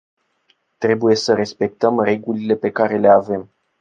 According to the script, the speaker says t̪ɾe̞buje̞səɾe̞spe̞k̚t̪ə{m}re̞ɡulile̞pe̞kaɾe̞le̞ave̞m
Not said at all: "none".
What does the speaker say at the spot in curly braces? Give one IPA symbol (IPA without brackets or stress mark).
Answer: m